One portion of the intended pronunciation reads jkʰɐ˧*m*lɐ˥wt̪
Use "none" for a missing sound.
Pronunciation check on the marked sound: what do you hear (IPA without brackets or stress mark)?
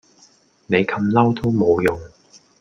m